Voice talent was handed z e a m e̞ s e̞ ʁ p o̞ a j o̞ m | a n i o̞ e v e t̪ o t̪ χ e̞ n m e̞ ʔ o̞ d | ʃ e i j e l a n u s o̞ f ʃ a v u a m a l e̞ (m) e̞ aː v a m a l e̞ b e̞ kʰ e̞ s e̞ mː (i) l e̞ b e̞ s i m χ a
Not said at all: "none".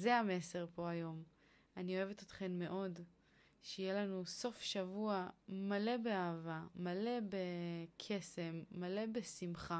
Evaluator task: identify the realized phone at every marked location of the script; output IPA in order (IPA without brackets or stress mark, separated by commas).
b, a